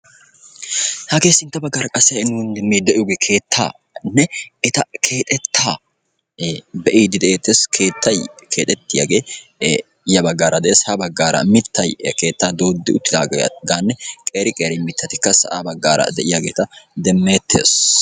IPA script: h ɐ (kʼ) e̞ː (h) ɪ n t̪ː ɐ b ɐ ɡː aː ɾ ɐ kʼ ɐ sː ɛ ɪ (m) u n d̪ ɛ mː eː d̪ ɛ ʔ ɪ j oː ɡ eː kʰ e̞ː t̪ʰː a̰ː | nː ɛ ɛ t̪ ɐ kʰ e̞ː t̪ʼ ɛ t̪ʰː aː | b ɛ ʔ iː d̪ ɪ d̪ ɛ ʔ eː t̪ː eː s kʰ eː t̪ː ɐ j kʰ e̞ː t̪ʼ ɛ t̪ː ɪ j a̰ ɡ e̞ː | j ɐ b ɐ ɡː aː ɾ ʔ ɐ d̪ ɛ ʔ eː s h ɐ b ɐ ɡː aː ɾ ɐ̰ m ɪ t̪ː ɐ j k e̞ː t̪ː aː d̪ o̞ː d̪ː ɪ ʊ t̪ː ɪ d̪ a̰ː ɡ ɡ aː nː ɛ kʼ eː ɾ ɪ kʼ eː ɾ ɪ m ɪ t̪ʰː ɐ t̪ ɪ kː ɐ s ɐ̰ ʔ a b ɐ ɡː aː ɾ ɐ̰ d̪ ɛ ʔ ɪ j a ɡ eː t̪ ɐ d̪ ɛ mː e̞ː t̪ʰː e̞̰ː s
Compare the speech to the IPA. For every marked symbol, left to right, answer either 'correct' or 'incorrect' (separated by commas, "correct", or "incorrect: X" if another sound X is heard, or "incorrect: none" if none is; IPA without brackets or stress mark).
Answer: incorrect: k, incorrect: s, incorrect: n